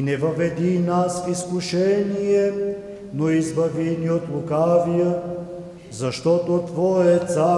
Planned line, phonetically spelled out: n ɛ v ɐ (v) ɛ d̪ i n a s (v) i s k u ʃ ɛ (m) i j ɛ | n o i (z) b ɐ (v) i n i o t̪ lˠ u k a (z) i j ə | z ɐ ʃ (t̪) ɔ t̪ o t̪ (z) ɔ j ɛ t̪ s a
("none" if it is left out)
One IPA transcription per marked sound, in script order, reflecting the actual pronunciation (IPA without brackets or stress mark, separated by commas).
v, f, n, z, v, v, t̪, v